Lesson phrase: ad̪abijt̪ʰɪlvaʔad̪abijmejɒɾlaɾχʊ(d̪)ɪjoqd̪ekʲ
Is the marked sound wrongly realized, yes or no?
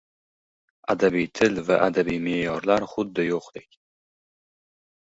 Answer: yes